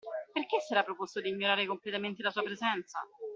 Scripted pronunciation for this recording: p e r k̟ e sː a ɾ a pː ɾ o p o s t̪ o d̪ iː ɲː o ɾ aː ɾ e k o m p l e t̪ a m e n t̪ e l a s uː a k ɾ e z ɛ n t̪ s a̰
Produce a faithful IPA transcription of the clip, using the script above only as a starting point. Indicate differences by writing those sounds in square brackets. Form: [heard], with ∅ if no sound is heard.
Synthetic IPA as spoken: p e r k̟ e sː [ɛ] ɾ a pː ɾ o p o s t̪ o d̪ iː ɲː o ɾ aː ɾ e k o m p l e t̪ a m e n t̪ e l a s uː a [p] ɾ e z ɛ n t̪ s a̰